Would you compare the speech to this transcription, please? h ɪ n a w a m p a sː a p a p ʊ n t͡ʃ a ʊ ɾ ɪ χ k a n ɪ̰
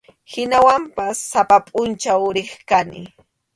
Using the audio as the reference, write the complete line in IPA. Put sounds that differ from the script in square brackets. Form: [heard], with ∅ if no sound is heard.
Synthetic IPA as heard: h ɪ n a w a m p a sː a p a [pʼ] ʊ n t͡ʃ a ʊ ɾ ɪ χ k a n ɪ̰